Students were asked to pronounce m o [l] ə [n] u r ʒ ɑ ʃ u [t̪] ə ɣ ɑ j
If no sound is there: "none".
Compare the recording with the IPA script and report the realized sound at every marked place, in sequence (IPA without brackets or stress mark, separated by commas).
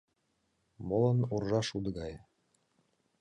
l, n, d̪